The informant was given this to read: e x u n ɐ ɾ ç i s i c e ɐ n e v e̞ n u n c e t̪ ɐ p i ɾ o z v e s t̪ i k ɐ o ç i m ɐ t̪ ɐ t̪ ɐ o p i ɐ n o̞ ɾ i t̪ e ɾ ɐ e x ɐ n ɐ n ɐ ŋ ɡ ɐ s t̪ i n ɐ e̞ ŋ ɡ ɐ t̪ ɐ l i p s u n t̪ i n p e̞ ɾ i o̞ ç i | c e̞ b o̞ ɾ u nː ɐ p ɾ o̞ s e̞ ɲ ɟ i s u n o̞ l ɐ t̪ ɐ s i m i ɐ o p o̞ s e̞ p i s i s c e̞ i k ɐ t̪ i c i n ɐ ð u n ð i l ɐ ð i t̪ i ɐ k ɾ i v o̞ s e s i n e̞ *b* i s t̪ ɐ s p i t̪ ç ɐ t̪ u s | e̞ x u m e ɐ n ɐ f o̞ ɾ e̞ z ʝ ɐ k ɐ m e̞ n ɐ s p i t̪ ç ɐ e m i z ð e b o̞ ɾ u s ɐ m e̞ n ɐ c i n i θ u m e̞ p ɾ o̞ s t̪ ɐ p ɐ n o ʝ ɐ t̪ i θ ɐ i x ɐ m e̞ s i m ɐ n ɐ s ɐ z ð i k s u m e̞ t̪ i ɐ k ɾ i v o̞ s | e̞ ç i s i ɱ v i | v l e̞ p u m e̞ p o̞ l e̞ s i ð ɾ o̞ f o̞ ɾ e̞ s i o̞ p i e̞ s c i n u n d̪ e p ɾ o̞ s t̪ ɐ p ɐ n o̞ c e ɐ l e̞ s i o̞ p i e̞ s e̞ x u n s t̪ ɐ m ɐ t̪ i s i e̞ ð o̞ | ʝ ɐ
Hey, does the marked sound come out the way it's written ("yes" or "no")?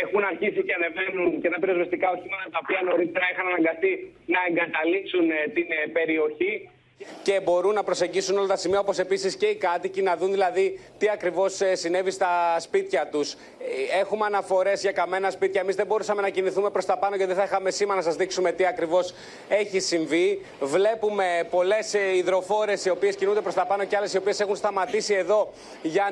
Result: no